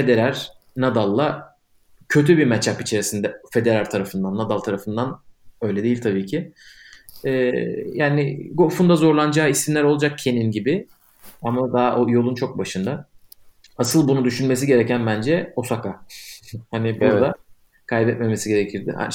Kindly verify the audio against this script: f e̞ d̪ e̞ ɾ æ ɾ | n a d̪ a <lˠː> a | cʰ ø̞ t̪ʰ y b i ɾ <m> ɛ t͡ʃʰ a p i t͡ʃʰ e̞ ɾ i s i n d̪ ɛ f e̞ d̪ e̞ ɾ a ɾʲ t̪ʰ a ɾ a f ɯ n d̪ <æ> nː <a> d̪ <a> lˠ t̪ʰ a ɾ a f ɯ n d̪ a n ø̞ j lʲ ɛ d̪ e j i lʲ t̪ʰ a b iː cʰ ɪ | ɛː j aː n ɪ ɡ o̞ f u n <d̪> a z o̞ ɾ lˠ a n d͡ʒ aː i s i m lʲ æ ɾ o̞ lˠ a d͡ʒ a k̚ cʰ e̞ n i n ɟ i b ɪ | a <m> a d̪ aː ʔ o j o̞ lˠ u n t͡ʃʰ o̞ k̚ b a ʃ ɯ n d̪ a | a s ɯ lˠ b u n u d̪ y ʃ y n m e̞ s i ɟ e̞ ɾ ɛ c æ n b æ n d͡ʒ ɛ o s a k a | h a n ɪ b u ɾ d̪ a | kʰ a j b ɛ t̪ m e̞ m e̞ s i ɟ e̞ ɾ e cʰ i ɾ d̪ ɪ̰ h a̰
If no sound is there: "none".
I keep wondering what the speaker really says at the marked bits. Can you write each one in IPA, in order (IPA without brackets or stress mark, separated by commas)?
lˠː, m, a, a, a, d̪, m